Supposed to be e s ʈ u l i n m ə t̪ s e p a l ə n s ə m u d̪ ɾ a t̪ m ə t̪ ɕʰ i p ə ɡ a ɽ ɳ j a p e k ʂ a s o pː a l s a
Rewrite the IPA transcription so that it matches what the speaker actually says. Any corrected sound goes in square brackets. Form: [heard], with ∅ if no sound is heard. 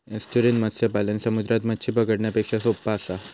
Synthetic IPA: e s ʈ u [ɾ] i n m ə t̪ s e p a l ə n s ə m u d̪ ɾ a t̪ m ə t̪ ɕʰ i p ə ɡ [ə] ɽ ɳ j a p e k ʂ a s o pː a [∅] s a